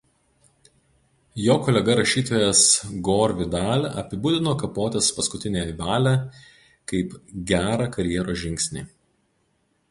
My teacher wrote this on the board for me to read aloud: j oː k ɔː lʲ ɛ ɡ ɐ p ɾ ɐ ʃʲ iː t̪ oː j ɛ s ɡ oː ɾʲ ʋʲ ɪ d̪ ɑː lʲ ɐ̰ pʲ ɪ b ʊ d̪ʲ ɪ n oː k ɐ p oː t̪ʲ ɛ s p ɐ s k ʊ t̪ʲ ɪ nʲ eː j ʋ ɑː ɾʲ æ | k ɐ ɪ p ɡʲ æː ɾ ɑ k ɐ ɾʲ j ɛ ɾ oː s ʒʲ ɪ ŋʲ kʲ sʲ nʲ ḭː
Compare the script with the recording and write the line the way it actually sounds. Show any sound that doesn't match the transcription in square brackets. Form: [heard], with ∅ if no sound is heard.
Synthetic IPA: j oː k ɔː lʲ ɛ ɡ ɐ [∅] ɾ ɐ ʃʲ iː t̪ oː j ɛ s ɡ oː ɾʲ ʋʲ ɪ d̪ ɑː lʲ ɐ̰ pʲ ɪ b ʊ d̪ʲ ɪ n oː k ɐ p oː t̪ʲ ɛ s p ɐ s k ʊ t̪ʲ ɪ nʲ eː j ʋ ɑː [lʲ] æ | k ɐ ɪ p ɡʲ æː ɾ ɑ k ɐ ɾʲ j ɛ ɾ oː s ʒʲ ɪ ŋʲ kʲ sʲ nʲ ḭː